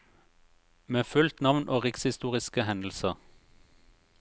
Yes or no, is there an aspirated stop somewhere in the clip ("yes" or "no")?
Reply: no